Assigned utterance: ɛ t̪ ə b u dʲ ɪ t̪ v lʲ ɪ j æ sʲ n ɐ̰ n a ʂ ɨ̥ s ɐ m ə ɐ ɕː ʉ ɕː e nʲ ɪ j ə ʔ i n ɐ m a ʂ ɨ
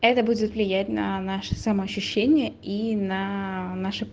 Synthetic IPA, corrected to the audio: ɛ t̪ ə b u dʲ ɪ t̪ v lʲ ɪ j æ tʲ n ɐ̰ n a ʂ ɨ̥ s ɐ m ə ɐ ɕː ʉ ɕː e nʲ ɪ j ə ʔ i n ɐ n a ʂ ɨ